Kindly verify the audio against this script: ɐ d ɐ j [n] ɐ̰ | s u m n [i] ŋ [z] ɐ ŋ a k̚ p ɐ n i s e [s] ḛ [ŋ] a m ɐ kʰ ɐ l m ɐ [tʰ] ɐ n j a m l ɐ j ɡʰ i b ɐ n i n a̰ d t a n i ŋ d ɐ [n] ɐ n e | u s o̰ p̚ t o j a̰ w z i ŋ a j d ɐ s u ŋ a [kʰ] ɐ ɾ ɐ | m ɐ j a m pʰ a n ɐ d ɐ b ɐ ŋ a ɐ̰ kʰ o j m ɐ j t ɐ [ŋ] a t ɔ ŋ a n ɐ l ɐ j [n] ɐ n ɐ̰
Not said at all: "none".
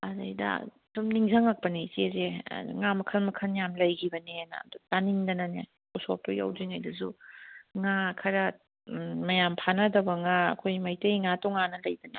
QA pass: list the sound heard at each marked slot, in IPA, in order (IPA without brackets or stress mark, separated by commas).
d, i, z, z, ŋ, kʰ, n, kʰ, ŋ, d